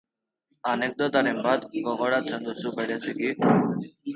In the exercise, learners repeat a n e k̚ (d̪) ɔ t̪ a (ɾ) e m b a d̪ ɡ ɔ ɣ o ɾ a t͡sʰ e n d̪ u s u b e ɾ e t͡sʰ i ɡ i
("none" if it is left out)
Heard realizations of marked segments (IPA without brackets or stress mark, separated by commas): d̪, ɾ